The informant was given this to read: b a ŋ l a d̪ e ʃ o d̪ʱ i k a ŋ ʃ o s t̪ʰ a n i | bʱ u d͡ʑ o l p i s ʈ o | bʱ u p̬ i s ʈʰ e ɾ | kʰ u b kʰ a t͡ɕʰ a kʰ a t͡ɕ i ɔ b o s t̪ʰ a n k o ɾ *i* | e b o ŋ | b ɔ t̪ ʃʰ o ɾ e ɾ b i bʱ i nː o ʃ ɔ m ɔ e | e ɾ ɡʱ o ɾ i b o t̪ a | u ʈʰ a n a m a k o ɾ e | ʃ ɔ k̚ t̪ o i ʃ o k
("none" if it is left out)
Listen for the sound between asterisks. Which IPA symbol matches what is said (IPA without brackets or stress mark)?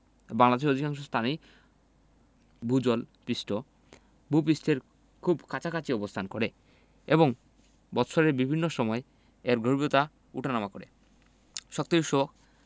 e